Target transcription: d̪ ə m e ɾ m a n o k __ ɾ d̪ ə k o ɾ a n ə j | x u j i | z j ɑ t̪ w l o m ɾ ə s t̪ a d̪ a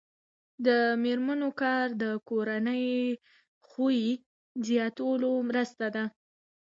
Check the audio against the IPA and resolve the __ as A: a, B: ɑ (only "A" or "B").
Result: B